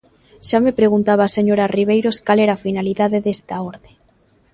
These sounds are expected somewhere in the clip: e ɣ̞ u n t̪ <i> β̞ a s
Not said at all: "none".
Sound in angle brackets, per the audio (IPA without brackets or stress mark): a